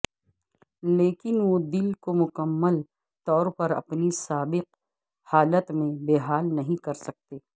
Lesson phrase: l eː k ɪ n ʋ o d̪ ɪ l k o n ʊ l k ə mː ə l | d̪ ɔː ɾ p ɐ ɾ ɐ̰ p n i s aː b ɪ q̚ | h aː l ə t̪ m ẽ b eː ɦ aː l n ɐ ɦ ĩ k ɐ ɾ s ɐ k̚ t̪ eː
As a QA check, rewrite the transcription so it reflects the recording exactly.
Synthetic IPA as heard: l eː k ɪ n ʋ o d̪ ɪ l k o m ʊ k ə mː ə l | t̪ ɔː ɾ p ɐ ɾ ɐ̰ p n i s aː b ɪ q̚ | h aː l ə t̪ m ẽ b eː ɦ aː l n ɐ ɦ ĩ k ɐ ɾ s ɐ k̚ t̪ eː